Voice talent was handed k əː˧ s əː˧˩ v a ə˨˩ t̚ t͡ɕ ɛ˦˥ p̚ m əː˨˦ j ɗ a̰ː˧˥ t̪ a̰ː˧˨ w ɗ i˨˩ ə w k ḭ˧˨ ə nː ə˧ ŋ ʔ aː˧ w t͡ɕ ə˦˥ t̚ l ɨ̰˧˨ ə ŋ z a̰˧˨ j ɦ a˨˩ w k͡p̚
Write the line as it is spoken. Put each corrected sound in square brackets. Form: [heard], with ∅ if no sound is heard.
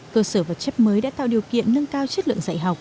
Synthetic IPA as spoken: k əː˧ s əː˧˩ v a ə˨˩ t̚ t͡ɕ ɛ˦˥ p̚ m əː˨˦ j ɗ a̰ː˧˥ t̪ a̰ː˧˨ w ɗ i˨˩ ə w k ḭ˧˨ ə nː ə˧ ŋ [k] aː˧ w t͡ɕ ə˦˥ t̚ l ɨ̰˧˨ ə ŋ z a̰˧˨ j ɦ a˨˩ w k͡p̚